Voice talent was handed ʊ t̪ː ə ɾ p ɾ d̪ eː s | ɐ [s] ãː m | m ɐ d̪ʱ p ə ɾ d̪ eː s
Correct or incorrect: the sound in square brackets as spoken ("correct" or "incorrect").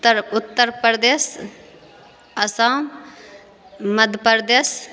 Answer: correct